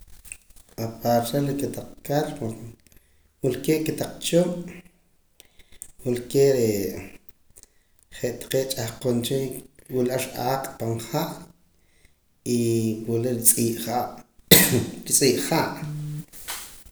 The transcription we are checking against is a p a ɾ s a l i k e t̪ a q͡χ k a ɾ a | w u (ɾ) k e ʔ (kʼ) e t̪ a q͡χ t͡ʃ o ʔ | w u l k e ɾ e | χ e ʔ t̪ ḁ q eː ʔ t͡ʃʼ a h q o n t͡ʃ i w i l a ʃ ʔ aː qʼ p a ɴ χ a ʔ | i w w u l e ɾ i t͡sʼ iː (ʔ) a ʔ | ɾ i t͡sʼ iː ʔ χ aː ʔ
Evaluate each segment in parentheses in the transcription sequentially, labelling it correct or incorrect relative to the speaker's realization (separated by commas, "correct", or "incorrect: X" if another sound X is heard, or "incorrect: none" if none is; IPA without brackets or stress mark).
incorrect: l, incorrect: k, correct